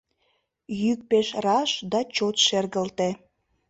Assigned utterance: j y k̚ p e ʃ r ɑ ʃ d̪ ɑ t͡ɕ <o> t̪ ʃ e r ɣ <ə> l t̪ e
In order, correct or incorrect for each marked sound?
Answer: correct, correct

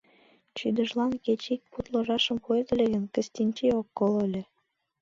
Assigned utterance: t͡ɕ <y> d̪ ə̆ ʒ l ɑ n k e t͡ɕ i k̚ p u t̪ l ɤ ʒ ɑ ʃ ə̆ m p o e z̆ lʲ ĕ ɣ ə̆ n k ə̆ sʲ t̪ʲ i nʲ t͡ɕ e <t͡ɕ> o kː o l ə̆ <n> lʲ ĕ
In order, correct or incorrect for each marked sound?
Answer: correct, incorrect, incorrect

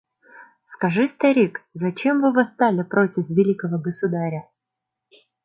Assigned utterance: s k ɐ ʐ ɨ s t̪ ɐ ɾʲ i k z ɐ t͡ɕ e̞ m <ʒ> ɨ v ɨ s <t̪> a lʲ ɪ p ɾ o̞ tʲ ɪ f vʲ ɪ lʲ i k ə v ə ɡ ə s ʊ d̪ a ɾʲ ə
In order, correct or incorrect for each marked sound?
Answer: incorrect, correct

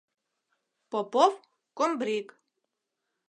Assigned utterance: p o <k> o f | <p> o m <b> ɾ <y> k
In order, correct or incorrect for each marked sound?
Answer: incorrect, incorrect, correct, incorrect

